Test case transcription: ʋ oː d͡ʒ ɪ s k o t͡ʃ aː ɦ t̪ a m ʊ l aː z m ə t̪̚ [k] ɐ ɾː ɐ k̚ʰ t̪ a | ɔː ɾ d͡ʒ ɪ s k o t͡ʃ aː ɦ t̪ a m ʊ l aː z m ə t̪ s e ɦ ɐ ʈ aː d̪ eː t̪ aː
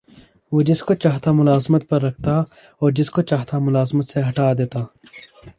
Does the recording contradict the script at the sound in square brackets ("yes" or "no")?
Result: yes